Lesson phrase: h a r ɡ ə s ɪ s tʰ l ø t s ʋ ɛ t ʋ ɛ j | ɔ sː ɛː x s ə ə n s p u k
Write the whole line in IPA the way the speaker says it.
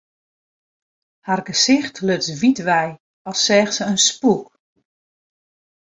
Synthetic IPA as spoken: h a r ɡ ə s ɪ x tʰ l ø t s ʋ i t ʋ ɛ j | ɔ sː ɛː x s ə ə n s p u k